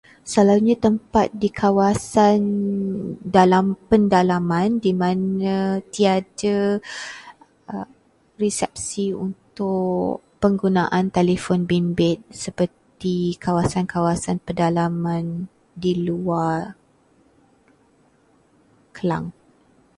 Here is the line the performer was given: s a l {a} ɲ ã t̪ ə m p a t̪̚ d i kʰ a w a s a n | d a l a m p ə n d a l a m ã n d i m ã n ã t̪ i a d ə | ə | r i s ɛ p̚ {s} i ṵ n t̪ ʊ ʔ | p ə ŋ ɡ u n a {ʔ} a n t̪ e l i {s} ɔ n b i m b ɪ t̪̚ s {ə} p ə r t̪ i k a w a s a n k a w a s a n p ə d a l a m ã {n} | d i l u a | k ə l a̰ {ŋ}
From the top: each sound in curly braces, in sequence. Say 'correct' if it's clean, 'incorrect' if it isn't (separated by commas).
correct, correct, correct, incorrect, correct, correct, correct